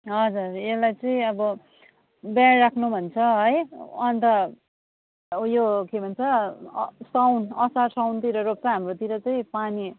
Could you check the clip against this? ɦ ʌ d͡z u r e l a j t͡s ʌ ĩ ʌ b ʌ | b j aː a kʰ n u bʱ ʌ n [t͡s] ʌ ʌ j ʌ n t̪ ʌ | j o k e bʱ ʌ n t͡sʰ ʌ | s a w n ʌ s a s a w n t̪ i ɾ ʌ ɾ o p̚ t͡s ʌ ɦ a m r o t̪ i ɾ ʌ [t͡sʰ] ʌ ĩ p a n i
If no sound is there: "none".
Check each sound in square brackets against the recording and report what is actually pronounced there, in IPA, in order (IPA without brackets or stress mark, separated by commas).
t͡sʰ, t͡s